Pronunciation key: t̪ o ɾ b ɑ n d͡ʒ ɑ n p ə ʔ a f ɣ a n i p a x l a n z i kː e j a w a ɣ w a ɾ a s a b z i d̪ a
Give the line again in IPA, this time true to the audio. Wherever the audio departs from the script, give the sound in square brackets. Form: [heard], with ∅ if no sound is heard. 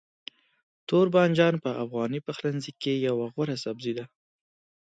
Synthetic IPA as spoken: t̪ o ɾ b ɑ n d͡ʒ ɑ n p ə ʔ a f ɣ [ɑ] n i p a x l a n z i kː e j a w a ɣ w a ɾ a s a b z i d̪ a